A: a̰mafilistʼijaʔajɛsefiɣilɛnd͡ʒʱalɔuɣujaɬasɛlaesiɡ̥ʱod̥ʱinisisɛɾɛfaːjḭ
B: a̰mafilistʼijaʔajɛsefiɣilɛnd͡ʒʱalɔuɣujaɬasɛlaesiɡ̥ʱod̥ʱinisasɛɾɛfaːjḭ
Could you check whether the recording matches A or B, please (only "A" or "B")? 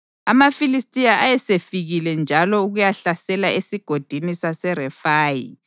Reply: B